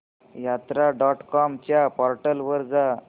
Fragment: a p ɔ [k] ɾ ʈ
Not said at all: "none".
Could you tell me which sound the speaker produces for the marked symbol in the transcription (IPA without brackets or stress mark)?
none